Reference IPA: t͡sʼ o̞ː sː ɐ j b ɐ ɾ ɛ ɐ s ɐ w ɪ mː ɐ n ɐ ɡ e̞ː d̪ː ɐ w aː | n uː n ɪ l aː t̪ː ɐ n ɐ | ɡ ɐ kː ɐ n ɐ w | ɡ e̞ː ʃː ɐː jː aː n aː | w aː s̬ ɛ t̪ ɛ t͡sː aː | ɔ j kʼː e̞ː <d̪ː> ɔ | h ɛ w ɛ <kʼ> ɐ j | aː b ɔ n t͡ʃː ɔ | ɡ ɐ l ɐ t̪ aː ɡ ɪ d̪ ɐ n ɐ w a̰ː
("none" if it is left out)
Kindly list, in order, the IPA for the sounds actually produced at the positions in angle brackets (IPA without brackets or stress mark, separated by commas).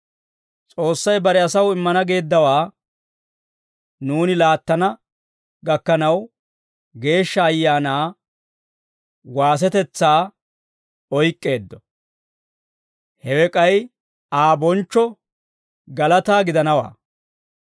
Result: d̪ː, kʼ